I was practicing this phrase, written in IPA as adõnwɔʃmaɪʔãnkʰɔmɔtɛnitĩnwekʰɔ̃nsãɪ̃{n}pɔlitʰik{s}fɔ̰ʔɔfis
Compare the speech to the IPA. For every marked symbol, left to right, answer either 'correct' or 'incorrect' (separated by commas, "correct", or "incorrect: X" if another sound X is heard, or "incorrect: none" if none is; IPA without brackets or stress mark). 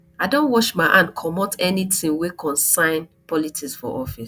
correct, correct